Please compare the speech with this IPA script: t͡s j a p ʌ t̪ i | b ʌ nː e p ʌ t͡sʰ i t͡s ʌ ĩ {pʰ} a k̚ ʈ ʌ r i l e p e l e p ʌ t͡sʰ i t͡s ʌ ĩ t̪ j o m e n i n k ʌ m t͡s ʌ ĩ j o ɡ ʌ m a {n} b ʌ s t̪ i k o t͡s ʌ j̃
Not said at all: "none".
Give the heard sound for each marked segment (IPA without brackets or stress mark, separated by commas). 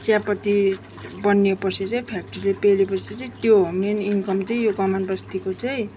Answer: pʰ, n